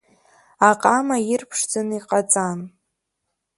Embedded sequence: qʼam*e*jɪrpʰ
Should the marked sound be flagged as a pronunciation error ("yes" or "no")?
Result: yes